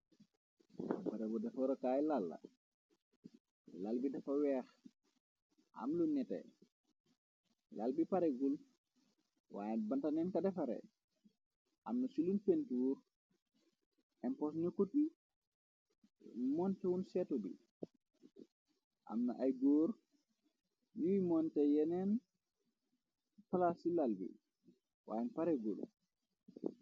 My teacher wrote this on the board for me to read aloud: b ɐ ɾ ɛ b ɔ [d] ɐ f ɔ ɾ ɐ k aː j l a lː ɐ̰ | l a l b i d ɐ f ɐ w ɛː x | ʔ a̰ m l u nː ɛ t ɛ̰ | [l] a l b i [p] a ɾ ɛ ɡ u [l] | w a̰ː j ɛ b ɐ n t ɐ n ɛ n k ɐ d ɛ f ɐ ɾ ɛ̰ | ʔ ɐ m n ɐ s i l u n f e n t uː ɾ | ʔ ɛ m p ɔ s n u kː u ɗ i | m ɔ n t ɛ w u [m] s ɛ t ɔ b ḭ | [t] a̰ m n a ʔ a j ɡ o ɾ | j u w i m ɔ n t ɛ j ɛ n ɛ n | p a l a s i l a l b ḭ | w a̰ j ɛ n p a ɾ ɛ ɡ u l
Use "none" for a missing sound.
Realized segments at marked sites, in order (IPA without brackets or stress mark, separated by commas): d, l, p, l, n, ʔ